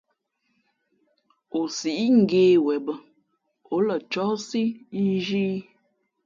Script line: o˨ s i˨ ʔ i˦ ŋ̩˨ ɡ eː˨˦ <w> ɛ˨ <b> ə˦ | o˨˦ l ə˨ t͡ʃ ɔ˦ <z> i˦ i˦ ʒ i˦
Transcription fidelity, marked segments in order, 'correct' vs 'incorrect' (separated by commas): correct, correct, incorrect